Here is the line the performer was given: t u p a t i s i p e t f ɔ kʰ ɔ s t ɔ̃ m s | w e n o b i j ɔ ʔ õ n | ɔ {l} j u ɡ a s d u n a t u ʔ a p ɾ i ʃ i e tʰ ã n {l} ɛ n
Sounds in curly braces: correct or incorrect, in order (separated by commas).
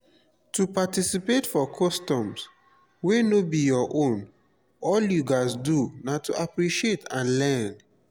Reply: correct, correct